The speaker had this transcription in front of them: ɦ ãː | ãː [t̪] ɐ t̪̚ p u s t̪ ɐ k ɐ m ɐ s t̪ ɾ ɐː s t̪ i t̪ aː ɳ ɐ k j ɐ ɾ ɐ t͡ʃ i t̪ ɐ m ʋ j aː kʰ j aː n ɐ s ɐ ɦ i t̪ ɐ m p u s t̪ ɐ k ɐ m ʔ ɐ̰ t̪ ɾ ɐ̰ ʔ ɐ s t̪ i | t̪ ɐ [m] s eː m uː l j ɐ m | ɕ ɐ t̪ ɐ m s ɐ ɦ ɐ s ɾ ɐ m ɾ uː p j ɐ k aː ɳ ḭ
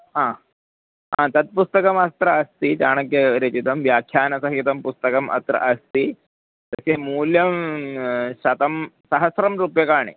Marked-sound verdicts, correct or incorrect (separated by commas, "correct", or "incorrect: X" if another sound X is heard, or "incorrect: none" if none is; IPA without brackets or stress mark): correct, incorrect: none